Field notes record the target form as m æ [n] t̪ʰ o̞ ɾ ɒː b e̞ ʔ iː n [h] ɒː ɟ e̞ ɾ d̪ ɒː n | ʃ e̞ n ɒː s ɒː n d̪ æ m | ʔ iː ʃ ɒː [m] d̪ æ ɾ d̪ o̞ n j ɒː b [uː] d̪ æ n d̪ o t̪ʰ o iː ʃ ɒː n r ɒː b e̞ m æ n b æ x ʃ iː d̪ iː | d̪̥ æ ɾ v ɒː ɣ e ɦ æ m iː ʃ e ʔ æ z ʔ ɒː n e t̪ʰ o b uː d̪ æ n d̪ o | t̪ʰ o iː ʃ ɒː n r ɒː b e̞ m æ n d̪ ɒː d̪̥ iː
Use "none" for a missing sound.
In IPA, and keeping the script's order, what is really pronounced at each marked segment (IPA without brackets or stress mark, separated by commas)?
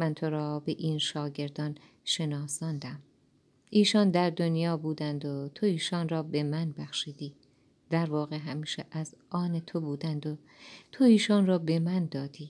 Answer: n, ʃ, n, uː